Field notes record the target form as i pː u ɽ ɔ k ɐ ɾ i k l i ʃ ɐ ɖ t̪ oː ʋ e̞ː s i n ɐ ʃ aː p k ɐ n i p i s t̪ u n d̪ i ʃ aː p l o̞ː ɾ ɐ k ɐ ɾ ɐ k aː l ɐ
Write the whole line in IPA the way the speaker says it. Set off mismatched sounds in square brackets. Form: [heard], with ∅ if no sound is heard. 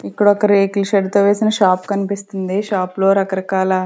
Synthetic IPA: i pː u ɽ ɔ k ɐ ɾ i k l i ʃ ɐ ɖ t̪ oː ʋ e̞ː s i n ɐ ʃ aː p k ɐ n i p i s t̪ u n d̪ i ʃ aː p l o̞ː ɾ ɐ k ɐ ɾ ɐ k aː l ɐ